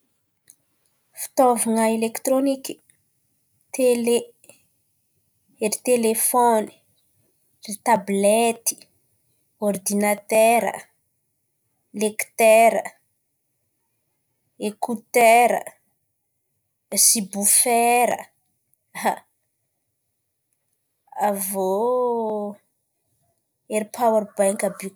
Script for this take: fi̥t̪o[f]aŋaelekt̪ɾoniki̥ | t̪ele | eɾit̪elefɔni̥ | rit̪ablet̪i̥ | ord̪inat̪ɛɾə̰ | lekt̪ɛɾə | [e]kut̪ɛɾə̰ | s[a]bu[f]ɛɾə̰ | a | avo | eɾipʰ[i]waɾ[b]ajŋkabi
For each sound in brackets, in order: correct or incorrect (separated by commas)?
incorrect, correct, incorrect, correct, incorrect, correct